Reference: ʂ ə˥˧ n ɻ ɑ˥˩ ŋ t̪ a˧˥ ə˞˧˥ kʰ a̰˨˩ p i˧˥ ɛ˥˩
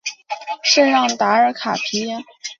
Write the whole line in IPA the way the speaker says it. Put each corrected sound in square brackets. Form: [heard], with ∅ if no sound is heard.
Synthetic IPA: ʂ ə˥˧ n ɻ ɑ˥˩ ŋ t̪ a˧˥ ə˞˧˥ kʰ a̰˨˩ [pʰ] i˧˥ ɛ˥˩